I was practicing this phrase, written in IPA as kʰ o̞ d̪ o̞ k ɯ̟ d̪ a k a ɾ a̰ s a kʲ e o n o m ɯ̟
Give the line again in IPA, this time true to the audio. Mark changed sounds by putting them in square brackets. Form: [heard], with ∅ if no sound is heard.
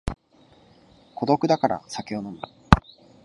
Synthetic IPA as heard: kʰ o̞ d̪ o̞ k ɯ̟ d̪ a k a ɾ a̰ s a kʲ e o n o m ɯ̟